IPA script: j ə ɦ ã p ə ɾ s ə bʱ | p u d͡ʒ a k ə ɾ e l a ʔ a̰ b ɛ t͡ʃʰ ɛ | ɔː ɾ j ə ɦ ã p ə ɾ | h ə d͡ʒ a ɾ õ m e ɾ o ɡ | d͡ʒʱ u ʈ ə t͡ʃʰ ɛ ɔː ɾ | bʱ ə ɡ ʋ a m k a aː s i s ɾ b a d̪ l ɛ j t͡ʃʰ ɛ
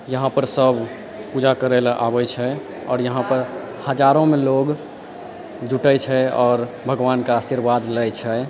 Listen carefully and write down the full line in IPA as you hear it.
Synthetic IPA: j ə ɦ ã p ə ɾ s ə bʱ | p u d͡ʒ a k ə ɾ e l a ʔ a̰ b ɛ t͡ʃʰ ɛ | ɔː ɾ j ə ɦ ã p ə ɾ | h ə d͡ʒ a ɾ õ m e l o ɡ | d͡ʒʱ u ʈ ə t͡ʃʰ ɛ ɔː ɾ | bʱ ə ɡ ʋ a n k a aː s i ɾ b a d̪ l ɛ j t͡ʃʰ ɛ